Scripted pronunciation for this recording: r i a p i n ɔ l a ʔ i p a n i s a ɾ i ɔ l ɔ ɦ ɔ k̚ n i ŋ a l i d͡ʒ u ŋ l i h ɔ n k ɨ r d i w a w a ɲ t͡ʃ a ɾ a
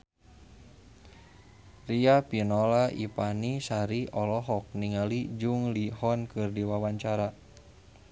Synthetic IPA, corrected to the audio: r i a p i n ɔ l a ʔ i p a n i s a ɾ i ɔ l ɔ ɦ ɔ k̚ n i ŋ a l i d͡ʒ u ŋ l i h ɔ n k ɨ r d i w a w a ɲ t͡ʃ a ɾ a